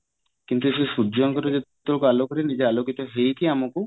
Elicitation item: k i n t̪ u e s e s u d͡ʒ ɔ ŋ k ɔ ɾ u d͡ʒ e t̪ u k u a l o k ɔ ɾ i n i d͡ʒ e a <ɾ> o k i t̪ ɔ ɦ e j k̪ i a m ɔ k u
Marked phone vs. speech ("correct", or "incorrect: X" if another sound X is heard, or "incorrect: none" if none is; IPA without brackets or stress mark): incorrect: l